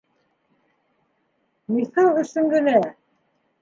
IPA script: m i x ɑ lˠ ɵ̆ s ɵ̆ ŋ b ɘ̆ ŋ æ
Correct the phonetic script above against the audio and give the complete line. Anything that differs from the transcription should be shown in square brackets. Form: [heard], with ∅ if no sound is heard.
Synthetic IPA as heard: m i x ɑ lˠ ɵ̆ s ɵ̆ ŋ [ɡ] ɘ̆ [n] æ